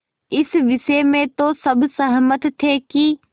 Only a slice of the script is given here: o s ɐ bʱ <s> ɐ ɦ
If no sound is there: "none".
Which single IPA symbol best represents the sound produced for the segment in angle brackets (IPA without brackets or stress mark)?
s